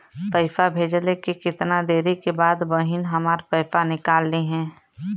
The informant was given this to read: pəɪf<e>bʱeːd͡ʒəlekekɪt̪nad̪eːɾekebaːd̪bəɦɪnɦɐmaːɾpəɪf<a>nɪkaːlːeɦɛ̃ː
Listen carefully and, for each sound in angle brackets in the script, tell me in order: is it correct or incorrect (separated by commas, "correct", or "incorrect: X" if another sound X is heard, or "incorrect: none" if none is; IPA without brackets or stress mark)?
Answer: incorrect: a, correct